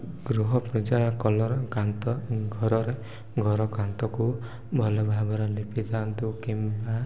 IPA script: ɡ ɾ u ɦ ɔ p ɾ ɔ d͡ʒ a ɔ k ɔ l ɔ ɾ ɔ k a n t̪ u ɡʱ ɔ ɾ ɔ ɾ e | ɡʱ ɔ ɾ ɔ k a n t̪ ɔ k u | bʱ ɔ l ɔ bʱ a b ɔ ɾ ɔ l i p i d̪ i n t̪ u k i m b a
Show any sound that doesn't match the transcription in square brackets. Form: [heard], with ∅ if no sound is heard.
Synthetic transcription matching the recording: ɡ ɾ u ɦ ɔ p ɾ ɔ d͡ʒ a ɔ k ɔ l ɔ ɾ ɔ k a n t̪ [ɔ] ɡʱ ɔ ɾ ɔ ɾ e | ɡʱ ɔ ɾ ɔ k a n t̪ ɔ k u | bʱ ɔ l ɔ bʱ a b ɔ ɾ ɔ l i p i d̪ [a] n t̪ u k i m b a